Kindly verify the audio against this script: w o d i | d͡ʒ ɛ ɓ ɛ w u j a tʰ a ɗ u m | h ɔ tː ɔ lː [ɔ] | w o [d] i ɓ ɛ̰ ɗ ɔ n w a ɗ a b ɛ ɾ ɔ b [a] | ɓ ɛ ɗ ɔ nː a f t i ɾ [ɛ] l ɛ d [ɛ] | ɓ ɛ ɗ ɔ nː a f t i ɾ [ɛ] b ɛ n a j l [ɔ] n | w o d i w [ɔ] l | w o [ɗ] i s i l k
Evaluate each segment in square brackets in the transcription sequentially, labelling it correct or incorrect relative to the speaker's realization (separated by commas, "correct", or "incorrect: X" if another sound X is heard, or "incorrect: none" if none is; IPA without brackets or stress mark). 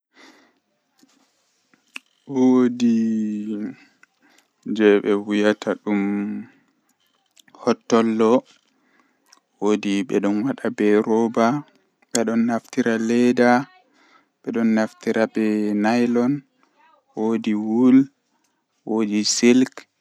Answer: correct, correct, correct, incorrect: a, incorrect: a, incorrect: a, correct, incorrect: u, incorrect: d